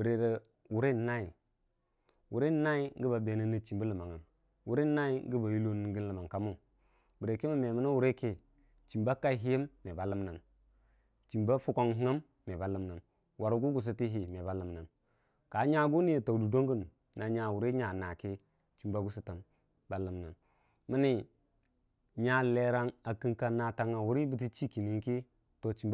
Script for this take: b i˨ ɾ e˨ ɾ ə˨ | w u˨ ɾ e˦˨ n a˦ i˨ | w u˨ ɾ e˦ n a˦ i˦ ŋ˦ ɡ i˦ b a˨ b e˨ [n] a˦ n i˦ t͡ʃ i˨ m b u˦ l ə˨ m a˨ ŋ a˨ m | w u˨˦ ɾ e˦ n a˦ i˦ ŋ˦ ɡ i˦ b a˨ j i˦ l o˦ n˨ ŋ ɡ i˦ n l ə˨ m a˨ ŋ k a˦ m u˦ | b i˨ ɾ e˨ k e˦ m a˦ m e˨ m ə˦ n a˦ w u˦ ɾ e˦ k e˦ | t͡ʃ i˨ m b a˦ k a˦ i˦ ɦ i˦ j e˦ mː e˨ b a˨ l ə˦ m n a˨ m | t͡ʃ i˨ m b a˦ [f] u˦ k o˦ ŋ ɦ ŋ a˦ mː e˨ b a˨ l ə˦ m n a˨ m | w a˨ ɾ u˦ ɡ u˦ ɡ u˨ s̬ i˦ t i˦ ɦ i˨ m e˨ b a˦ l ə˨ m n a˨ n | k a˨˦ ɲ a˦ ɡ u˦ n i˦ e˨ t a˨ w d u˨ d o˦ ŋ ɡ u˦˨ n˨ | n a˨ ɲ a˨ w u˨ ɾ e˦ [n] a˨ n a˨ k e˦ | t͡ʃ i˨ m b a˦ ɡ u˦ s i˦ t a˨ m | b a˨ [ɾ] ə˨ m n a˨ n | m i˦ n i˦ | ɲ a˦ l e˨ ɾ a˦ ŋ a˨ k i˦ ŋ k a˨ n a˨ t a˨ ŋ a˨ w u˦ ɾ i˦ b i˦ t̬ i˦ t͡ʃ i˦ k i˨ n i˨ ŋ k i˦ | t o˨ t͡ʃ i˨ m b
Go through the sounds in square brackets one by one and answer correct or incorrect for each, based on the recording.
correct, correct, incorrect, incorrect

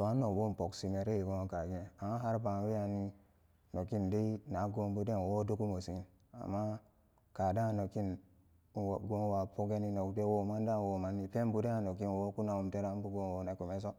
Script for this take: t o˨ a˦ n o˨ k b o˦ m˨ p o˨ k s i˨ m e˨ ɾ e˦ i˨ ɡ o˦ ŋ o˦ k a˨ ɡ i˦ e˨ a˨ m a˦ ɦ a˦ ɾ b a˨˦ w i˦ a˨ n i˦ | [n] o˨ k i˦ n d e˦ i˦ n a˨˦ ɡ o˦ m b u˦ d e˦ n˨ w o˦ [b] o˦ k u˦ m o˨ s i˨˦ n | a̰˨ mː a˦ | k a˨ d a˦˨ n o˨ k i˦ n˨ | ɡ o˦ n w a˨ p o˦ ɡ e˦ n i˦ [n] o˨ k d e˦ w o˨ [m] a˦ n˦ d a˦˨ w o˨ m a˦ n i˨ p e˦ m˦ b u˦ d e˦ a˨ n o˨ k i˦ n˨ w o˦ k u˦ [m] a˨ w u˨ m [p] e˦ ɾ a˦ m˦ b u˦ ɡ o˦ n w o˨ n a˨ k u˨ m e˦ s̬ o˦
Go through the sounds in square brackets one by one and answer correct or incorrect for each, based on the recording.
correct, incorrect, correct, correct, incorrect, incorrect

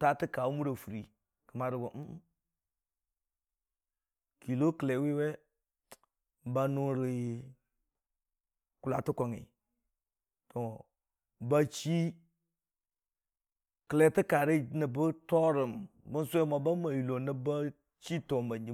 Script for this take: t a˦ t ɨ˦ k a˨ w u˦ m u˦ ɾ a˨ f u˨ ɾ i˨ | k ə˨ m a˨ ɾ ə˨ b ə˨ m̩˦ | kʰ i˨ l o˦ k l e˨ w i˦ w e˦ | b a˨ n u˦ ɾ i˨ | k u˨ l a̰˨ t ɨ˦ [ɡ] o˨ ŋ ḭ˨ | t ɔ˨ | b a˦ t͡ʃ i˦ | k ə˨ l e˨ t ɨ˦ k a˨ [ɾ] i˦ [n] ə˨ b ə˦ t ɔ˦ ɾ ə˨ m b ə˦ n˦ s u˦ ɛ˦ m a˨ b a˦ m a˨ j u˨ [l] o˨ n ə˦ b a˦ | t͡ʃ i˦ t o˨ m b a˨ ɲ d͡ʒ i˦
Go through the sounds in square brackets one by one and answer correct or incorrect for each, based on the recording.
incorrect, correct, correct, correct

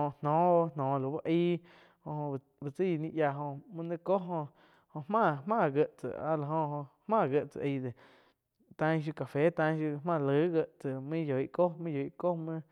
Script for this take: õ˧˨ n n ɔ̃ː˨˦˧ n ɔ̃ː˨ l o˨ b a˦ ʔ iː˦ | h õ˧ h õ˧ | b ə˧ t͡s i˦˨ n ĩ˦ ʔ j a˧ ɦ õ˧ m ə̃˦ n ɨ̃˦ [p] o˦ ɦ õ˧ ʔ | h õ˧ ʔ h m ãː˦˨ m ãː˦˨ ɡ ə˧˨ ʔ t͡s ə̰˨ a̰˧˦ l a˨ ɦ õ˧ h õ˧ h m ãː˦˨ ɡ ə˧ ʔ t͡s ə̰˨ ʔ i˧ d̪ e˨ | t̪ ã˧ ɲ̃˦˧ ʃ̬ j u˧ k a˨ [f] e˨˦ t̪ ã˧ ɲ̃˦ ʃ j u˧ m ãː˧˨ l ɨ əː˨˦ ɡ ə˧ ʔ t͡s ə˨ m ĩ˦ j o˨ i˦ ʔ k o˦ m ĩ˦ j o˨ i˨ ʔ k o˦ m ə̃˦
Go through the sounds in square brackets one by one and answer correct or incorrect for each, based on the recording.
incorrect, correct

